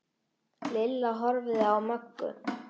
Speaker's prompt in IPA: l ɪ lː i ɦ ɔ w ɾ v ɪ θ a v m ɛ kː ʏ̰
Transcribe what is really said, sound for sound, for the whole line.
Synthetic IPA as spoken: l ɪ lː a ɦ ɔ ɾ v ɪ ð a w m œ kː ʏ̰

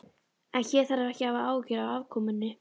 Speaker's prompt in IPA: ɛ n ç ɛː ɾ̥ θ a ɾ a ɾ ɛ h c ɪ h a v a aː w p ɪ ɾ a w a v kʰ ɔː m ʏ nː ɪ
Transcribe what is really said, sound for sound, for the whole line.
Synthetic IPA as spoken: ɛ n ç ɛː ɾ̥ θ a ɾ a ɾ ɛ h c ɪ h a v a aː w c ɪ ɾ a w a v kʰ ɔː m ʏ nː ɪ

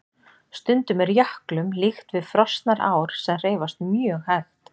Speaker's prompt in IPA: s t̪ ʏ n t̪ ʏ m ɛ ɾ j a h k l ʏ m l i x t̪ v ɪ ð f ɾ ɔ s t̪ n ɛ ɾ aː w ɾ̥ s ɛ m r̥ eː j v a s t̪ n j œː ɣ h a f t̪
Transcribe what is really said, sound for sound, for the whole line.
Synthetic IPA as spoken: s t̪ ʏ n t̪ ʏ m ɛ ɾ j a h k l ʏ m l i x t̪ v ɪ ð f ɾ ɔ s t̪ n a ɾ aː w ɾ̥ s ɛ m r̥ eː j v a s t̪ m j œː ɣ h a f t̪

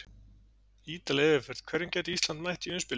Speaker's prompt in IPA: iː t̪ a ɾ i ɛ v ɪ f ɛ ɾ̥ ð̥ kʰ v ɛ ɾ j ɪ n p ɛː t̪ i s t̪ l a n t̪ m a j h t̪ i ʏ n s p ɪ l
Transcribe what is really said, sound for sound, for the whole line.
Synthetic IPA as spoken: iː t̪ a l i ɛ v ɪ f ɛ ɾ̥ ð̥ kʰ v ɛ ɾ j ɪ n c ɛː t̪ i s t̪ l a n t̪ m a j h t̪ i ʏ n s p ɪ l

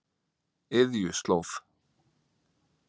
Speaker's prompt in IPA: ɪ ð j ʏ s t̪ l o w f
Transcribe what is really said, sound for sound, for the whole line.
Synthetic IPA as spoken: ɪ ð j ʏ s t̪ l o w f

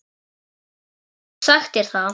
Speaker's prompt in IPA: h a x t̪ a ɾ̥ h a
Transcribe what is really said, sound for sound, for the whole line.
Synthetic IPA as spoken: s a x t̪ ɛ ɾ̥ θ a

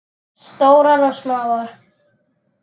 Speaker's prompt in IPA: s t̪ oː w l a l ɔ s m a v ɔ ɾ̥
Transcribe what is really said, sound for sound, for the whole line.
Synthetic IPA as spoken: s t̪ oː w ɾ a ɾ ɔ s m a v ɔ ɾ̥

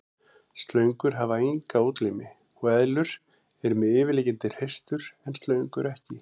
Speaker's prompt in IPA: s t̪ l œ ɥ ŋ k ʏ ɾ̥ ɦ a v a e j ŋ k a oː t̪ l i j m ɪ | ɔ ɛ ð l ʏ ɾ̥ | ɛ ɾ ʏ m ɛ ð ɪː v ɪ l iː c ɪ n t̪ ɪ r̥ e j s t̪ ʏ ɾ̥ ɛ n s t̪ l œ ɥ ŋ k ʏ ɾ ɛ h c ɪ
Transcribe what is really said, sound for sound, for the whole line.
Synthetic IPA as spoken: s t̪ l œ ɥ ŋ k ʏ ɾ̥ ɦ a v a e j ŋ k a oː t̪ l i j m ɪ | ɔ ɛ ð l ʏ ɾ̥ | ɛ ɾ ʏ m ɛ ð ɪː v ɪ l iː c ɪ n t̪ ɪ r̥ e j s t̪ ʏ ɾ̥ ɛ n s t̪ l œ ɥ ŋ k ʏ ɾ ɛ h c ɪ

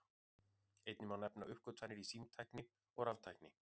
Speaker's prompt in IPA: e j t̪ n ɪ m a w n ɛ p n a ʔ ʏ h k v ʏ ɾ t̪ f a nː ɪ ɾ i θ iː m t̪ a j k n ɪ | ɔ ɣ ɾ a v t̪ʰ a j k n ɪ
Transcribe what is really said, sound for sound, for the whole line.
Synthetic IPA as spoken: e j t̪ n ɪ m a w n ɛ p n a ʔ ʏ h k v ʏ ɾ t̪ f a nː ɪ ɾ i s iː m t̪ʰ a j k n ɪ | ɔ ɣ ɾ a v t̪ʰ a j k n ɪ

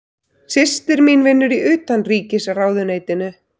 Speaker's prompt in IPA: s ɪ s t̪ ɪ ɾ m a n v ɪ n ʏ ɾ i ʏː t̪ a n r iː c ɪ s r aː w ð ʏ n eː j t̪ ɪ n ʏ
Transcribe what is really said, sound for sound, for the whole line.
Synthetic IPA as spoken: s ɪ s t̪ ɪ ɾ m i n v ɪ nː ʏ ɾ i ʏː t̪ a n r iː c ɪ s r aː w ð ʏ n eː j t̪ ɪ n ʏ

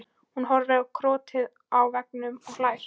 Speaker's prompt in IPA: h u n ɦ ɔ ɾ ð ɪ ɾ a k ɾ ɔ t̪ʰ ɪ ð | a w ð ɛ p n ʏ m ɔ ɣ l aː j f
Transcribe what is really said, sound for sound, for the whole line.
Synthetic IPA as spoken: h u n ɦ ɔ ɾ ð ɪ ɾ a kʰ ɾ ɔː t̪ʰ ɪ ð | a w v ɛ k n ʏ m ɔ ɣ l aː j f

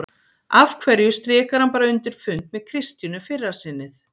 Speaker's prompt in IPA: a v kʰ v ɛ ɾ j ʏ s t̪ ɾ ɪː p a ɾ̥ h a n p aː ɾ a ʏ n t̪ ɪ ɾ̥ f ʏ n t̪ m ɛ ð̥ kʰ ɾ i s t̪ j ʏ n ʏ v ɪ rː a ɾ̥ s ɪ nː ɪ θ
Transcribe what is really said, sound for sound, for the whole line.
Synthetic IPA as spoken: a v kʰ v ɛ ɾ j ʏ s t̪ ɾ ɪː k a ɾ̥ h a n p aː ɾ a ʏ n t̪ ɪ ɾ̥ f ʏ n t̪ m ɛ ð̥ kʰ ɾ ɪ s t̪ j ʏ n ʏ f ɪ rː a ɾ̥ s ɪ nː ɪ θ

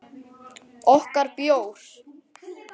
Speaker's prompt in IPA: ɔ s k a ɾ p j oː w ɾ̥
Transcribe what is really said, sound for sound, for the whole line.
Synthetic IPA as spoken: ɔ h k a ɾ p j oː w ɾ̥

